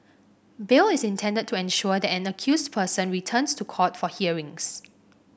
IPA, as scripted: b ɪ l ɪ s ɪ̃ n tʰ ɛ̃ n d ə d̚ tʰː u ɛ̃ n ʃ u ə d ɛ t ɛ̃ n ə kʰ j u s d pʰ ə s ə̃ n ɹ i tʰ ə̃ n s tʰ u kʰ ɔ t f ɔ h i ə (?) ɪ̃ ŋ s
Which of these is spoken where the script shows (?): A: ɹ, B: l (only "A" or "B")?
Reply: A